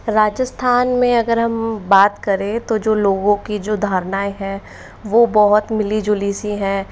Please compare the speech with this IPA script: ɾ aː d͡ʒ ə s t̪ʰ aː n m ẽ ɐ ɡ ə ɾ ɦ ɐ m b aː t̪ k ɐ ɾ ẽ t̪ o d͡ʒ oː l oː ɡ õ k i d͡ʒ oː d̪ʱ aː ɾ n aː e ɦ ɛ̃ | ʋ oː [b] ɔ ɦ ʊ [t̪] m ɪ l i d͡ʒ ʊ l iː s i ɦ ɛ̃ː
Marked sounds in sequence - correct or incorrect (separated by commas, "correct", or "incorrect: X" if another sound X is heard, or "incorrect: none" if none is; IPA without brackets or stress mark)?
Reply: correct, correct